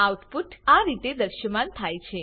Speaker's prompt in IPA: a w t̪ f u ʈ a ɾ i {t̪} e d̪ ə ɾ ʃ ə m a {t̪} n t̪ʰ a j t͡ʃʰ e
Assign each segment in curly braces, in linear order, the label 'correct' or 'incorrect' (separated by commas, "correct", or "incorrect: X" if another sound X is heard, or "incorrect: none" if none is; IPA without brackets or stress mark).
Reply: correct, incorrect: none